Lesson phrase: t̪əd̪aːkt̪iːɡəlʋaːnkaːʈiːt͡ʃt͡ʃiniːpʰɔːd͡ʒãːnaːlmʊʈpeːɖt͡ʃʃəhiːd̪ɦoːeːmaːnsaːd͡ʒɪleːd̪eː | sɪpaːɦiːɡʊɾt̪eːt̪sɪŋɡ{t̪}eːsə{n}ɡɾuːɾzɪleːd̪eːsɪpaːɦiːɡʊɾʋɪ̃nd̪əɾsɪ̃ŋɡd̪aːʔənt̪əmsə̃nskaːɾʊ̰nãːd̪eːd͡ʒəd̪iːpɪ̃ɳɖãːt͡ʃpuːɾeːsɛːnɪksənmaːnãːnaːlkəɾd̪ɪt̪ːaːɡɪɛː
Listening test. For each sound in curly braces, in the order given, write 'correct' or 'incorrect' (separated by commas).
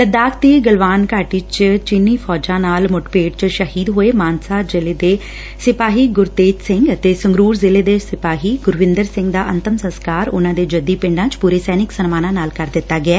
correct, incorrect